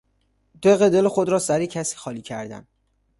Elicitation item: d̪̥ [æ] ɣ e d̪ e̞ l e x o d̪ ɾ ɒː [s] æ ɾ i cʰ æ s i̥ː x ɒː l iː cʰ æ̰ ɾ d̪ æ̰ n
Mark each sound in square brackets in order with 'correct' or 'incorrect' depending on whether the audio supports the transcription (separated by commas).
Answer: incorrect, correct